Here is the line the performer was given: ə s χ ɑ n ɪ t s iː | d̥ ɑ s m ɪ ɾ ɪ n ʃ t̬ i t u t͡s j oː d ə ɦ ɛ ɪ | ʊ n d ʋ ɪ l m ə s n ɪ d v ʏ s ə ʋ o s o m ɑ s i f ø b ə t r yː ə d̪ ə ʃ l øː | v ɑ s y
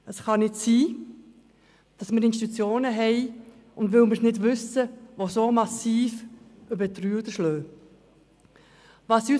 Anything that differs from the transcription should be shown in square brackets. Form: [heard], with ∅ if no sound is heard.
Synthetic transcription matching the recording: ə s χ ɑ n ɪ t s iː | d̥ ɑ s m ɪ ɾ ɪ n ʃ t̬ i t u t͡s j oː [n] ə ɦ ɛ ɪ | ʊ n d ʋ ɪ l m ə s n ɪ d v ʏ s ə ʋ o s o m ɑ s [iː] f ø b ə t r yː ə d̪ ə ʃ l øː | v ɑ s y